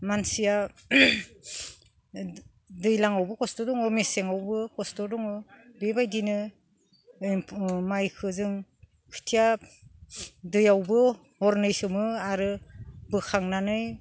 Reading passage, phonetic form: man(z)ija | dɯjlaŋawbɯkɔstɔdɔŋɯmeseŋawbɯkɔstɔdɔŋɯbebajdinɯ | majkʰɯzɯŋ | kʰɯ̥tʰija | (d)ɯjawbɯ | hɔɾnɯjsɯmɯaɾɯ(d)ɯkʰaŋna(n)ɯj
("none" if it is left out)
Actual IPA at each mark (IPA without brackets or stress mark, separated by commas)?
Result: s, d, b, n